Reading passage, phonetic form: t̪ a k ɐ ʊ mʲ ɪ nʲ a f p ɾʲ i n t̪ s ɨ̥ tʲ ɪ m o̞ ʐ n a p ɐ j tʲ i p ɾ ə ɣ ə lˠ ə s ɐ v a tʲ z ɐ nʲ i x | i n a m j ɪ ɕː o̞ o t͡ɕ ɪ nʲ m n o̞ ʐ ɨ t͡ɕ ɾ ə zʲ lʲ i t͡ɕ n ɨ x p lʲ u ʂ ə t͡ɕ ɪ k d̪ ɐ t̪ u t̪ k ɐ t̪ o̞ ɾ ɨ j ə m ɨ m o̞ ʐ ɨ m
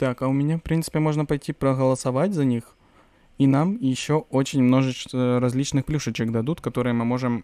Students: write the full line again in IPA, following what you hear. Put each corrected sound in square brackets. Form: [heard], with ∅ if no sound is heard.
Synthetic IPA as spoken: t̪ a k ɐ ʊ mʲ ɪ nʲ a f p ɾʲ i n t̪ s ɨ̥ [pʲ] ɪ m o̞ ʐ n [ə] p ɐ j tʲ i p ɾ ə ɣ ə lˠ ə s ɐ v a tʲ z ɐ nʲ i x | i n a m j ɪ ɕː o̞ o t͡ɕ ɪ nʲ m n o̞ ʐ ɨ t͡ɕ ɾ [ɐ] zʲ lʲ i t͡ɕ n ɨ x p lʲ u ʂ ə t͡ɕ ɪ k d̪ ɐ [d̪] u t̪ k ɐ t̪ o̞ ɾ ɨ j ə m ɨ m o̞ ʐ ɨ m

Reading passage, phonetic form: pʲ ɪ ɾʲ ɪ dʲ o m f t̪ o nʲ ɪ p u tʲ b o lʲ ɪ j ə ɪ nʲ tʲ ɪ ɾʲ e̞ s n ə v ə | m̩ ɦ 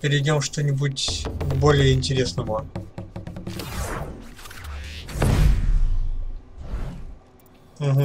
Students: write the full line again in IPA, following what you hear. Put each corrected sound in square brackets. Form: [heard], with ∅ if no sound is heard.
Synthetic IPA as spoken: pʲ ɪ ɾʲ ɪ dʲ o m [ʂ] t̪ o nʲ ɪ [b] u tʲ b o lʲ ɪ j ə ɪ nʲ tʲ ɪ ɾʲ e̞ s n ə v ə | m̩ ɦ

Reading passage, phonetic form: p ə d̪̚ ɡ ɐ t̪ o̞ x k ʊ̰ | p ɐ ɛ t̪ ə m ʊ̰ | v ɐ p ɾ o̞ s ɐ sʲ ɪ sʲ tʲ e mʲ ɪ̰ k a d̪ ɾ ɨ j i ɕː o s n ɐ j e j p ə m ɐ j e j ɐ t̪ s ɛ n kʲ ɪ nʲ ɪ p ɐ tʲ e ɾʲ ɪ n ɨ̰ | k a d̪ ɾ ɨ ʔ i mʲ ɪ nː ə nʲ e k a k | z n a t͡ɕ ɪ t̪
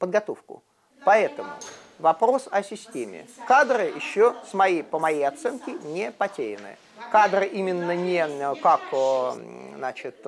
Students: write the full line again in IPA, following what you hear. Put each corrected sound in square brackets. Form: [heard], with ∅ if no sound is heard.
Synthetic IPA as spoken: p ə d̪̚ ɡ ɐ t̪ o̞ [f] k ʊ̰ | p ɐ ɛ t̪ ə m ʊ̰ | v ɐ p ɾ o̞ s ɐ sʲ ɪ sʲ tʲ e mʲ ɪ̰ k a d̪ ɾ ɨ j [ɪ] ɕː o s [m] ɐ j e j p ə m ɐ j e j ɐ t̪ s ɛ n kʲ ɪ nʲ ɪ p ɐ tʲ e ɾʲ ɪ n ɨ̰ | k a d̪ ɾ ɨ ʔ i mʲ ɪ nː ə nʲ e k a k | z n a t͡ɕ ɪ t̪

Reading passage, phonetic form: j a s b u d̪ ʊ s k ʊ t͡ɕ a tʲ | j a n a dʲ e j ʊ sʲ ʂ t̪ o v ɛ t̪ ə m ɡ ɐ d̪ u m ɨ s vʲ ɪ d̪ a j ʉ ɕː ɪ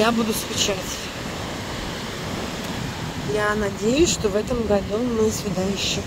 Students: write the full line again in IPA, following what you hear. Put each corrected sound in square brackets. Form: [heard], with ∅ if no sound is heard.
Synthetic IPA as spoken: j a [∅] b u d̪ ʊ s k ʊ t͡ɕ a tʲ | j a n [ɐ] dʲ e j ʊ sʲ ʂ t̪ o v ɛ t̪ ə m ɡ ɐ d̪ u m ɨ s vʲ ɪ d̪ a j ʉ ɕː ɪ

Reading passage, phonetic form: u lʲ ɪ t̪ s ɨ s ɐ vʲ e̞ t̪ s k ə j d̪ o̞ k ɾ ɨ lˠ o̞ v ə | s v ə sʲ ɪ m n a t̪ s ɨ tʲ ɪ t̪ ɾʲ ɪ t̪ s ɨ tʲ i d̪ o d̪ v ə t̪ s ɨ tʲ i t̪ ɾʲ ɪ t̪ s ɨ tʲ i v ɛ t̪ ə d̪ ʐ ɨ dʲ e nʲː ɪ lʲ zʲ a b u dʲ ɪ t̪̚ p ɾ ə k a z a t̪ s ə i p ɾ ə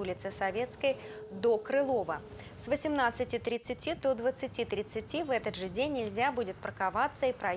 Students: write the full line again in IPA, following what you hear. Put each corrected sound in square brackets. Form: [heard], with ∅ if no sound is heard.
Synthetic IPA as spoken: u lʲ ɪ t̪ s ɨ s ɐ vʲ e̞ t̪ s k ə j d̪ o̞ k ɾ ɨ lˠ o̞ v ə | s v ə sʲ ɪ m n a t̪ s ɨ tʲ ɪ t̪ ɾʲ ɪ t̪ s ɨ tʲ i d̪ o d̪ v ə t̪ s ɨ tʲ i t̪ ɾʲ ɪ t̪ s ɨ tʲ i v ɛ t̪ ə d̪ ʐ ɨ dʲ e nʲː ɪ lʲ zʲ a b u dʲ ɪ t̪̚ p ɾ ə k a [v] a t̪ s ə i p ɾ [ɐ]

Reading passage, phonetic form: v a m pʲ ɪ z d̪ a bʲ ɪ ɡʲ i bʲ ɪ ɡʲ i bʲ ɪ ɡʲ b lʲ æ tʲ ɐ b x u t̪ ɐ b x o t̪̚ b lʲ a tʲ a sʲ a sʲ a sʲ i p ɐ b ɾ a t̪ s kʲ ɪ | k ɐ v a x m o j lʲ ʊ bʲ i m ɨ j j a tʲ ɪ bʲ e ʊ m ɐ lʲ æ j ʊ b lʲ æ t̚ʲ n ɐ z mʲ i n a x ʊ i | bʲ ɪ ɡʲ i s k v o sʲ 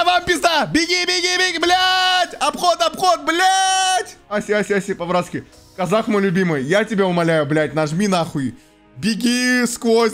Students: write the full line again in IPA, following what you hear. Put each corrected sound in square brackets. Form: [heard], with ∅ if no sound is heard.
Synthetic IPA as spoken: v a m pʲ ɪ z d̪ a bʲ ɪ ɡʲ i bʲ ɪ ɡʲ i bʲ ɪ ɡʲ b lʲ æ tʲ ɐ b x [o] t̪ ɐ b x o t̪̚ b lʲ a tʲ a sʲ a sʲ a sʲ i p ɐ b ɾ a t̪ s kʲ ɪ | k ɐ [z] a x m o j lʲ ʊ bʲ i m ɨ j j a tʲ ɪ bʲ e ʊ m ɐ lʲ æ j ʊ b lʲ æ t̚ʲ n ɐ [ʐ] mʲ i n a x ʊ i | bʲ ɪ ɡʲ i s k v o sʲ

